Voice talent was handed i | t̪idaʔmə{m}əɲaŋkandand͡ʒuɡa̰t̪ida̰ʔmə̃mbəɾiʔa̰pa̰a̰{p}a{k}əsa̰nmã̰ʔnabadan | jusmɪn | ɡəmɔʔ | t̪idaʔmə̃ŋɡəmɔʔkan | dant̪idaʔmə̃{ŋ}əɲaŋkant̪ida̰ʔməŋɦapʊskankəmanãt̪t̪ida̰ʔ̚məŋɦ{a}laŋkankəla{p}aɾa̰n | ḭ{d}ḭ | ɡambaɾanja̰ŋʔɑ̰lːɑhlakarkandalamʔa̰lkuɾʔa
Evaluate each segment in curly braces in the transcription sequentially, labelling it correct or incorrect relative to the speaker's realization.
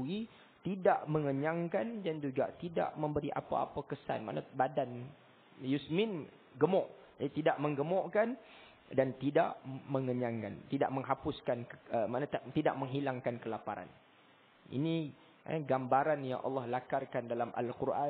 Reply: incorrect, correct, correct, correct, incorrect, correct, incorrect

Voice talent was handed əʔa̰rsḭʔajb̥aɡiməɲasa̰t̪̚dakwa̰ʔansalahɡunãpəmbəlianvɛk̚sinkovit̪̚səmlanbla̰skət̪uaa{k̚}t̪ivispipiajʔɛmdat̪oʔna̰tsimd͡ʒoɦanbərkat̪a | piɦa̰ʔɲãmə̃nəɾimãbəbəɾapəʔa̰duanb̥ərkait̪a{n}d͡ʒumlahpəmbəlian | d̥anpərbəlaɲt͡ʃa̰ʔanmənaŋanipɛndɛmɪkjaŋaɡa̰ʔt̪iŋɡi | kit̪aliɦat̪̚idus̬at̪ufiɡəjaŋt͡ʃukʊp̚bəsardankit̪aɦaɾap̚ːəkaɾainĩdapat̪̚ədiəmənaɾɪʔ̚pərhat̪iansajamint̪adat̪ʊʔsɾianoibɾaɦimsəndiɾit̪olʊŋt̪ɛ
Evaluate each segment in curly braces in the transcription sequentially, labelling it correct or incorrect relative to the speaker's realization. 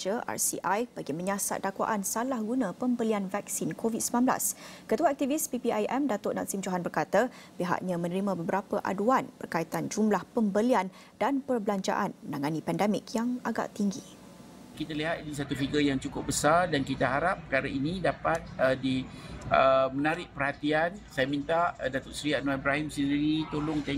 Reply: correct, correct

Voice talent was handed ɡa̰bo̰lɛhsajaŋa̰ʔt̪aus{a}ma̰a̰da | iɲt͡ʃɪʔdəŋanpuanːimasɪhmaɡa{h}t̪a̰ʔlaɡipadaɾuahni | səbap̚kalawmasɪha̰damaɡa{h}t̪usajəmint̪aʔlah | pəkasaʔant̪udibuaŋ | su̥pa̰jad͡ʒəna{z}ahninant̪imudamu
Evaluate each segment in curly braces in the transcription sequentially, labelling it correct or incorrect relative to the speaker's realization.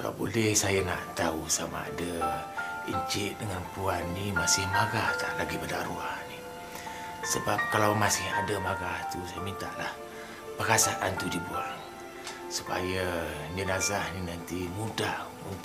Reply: correct, correct, correct, correct

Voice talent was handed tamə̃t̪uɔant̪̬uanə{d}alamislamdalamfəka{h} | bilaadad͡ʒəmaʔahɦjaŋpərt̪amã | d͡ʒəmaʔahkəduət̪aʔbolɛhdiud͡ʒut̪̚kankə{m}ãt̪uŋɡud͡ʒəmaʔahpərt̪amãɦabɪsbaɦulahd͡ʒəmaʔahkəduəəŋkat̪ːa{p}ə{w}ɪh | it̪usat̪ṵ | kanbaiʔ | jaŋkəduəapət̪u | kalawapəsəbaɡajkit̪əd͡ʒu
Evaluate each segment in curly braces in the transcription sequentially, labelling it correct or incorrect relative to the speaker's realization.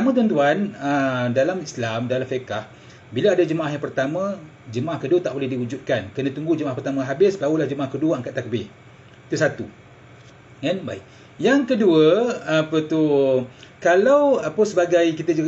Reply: correct, correct, incorrect, incorrect, incorrect

